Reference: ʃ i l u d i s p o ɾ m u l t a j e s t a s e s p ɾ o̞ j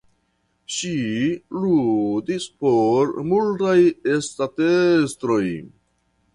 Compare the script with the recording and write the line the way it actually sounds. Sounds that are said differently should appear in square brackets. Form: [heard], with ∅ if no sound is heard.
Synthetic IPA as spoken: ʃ i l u d i s p o ɾ m u l t a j e s t a [t] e s [t] ɾ o̞ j